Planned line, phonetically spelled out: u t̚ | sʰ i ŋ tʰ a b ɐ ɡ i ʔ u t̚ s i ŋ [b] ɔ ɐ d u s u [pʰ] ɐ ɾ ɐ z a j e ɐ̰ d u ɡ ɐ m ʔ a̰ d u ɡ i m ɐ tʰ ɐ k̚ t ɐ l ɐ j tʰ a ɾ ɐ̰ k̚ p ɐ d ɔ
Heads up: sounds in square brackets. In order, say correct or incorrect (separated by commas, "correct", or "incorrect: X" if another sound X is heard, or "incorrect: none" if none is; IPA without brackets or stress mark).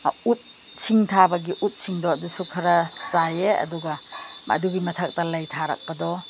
incorrect: d, incorrect: kʰ